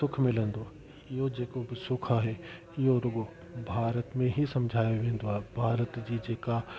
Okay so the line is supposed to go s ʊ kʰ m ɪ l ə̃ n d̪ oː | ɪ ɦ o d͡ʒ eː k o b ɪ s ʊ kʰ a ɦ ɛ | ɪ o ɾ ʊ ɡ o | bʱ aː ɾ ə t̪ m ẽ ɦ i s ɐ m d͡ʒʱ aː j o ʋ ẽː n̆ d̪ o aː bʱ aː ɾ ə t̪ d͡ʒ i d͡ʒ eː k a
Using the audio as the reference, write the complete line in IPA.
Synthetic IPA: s ʊ kʰ m ɪ l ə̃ n d̪ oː | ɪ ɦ o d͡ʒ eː k o b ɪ s ʊ kʰ a ɦ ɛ | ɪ o ɾ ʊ ɡ o | bʱ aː ɾ ə t̪ m ẽ ɦ i s ɐ m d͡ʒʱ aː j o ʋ ẽː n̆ d̪ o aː bʱ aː ɾ ə t̪ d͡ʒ i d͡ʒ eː k a

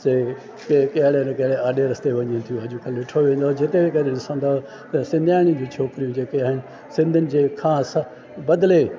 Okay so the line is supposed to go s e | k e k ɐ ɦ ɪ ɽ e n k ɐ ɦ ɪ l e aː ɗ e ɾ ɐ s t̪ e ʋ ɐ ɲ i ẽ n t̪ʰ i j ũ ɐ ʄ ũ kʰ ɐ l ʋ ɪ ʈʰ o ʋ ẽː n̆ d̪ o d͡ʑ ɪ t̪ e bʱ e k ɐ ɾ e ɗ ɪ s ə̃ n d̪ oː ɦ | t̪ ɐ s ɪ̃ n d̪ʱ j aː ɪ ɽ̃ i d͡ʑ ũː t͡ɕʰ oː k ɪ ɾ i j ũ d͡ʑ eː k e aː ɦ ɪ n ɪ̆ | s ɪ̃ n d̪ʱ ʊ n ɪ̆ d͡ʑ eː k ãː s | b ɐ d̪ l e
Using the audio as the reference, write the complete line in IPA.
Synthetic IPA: s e | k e k ɐ ɦ ɪ ɽ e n k ɐ ɦ ɪ ɽ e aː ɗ e ɾ ɐ s t̪ e ʋ ɐ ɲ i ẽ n t̪ʰ i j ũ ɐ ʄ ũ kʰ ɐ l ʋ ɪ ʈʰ o ʋ ẽː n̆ d̪ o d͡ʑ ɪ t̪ e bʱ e k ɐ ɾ e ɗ ɪ s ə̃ n d̪ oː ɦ | t̪ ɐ s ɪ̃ n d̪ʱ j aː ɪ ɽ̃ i d͡ʑ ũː t͡ɕʰ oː k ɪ ɾ i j ũ d͡ʑ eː k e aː ɦ ɪ n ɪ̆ | s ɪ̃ n d̪ʱ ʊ n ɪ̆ d͡ʑ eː kʰ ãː s | b ɐ d̪ l e

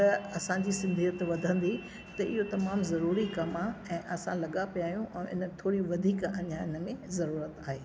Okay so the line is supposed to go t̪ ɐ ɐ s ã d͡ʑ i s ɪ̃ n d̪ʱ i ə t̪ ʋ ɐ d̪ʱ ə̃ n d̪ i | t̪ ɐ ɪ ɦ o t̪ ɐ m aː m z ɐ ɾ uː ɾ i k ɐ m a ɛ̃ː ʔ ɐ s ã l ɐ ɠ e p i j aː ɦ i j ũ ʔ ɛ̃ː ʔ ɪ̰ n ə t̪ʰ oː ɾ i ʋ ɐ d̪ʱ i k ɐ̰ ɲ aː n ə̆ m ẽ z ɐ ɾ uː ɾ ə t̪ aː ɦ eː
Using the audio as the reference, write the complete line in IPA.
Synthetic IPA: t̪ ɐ ɐ s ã d͡ʑ i s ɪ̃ n d̪ʱ i ə t̪ ʋ ɐ d̪ʱ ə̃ n d̪ i | t̪ ɐ ɪ ɦ o t̪ ɐ m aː m z ɐ ɾ uː ɾ i k ɐ m a ɛ̃ː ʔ ɐ s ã l ɐ ɠ a p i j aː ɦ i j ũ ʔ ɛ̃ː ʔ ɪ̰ n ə t̪ʰ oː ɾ i ʋ ɐ d̪ʱ iː k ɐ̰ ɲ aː n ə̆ m ẽ z ɐ ɾ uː ɾ ə t̪ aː ɦ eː

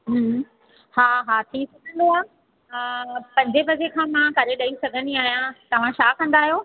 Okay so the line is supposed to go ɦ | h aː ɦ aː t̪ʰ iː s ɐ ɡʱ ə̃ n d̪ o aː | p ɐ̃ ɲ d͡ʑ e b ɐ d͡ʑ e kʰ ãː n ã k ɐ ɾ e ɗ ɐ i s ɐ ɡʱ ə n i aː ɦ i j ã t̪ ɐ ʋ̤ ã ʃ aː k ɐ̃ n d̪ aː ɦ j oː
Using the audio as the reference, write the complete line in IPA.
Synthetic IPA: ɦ | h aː ɦ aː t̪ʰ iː s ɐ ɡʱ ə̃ n d̪ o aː | p ɐ̃ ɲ d͡ʑ e b ɐ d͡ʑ e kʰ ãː m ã k ɐ ɾ e ɗ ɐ i s ɐ ɡʱ ə n i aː ɦ i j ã t̪ ɐ ʋ̤ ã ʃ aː k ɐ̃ n d̪ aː ɦ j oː

